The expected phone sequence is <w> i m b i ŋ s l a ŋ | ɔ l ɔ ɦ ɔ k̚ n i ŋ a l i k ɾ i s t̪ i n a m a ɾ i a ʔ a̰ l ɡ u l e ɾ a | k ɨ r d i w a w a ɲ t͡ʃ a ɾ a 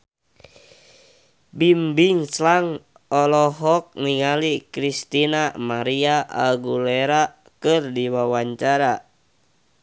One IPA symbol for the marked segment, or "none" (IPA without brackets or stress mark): b